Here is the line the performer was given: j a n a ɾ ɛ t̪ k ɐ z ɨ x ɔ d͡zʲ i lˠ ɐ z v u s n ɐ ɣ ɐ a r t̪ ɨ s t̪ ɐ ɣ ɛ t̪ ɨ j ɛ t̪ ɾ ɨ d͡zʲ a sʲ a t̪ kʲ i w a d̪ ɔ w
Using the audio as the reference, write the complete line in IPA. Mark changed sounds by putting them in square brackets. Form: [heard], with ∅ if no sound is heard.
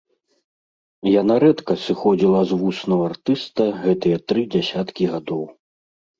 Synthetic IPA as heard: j a n a ɾ ɛ t̪ k ɐ [s] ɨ x ɔ d͡zʲ i lˠ ɐ z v u s n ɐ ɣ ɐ a r t̪ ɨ s t̪ ɐ ɣ ɛ t̪ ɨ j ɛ t̪ ɾ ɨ d͡zʲ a sʲ a t̪ kʲ i [ɣ] a d̪ ɔ w